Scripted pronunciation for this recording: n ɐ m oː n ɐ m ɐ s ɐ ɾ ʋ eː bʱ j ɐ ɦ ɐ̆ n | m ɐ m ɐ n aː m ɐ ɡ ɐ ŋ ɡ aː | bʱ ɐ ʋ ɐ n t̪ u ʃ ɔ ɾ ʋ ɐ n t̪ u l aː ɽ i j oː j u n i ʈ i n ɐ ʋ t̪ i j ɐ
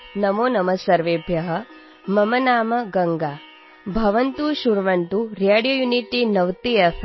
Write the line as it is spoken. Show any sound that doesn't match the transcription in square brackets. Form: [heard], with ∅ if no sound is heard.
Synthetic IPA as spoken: n ɐ m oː n ɐ m ɐ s ɐ ɾ ʋ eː bʱ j ɐ ɦ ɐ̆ [∅] | m ɐ m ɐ n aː m ɐ ɡ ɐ ŋ ɡ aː | bʱ ɐ ʋ ɐ n t̪ u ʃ [u] ɾ ʋ ɐ n t̪ u [ɾ] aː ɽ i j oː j u n i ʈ i n ɐ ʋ t̪ i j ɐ